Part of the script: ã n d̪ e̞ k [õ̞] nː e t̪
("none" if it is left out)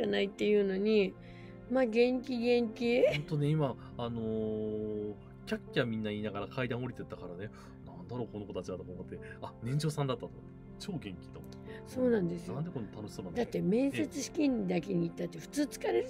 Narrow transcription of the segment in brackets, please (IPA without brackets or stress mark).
o̞